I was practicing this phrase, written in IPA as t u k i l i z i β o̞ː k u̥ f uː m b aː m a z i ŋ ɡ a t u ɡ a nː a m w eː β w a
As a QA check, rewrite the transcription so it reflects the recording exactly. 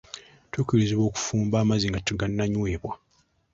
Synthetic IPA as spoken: t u k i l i z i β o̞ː k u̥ f uː m b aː m a z i ŋ ɡ a t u ɡ a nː a ɲ w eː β w a